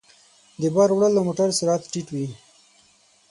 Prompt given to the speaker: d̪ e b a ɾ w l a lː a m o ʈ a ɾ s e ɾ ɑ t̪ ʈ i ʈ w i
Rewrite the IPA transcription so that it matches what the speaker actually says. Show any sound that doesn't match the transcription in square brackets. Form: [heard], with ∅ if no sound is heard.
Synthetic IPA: d̪ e b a ɾ w [ɽ] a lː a m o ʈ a ɾ s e ɾ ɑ t̪ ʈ i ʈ w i

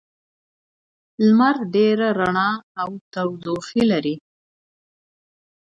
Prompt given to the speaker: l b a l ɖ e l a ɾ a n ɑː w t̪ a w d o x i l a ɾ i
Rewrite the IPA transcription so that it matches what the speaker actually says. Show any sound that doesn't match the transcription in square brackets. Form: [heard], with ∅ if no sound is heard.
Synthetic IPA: l [m] a [ɾ] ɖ e [ɾ] a ɾ a [ɳ] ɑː w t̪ a w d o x i l a ɾ i

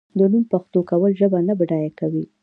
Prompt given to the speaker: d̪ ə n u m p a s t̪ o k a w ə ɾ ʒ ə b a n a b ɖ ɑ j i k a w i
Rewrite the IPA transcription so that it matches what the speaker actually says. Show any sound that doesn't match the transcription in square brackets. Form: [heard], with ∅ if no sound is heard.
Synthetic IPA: d̪ ə n u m p a [x] t̪ o k a w ə [l] ʒ ə b a n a b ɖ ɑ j [a] k a w i

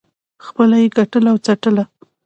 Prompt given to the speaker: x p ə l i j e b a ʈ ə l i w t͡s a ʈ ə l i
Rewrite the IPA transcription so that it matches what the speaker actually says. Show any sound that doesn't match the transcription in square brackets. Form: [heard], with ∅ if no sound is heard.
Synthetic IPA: x p ə l [a] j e [ɡ] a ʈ ə l [a] w t͡s a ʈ ə l [a]

